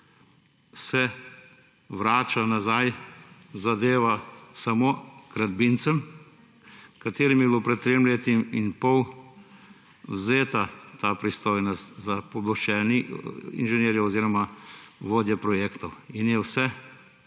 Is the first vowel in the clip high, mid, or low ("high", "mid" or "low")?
mid